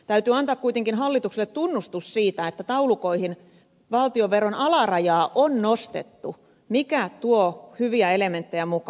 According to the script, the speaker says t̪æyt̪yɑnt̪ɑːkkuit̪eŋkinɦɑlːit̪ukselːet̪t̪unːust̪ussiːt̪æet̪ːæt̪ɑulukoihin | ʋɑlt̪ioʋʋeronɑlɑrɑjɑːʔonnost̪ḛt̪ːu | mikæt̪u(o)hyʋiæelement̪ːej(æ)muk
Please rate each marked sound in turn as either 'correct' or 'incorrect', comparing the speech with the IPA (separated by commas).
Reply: correct, correct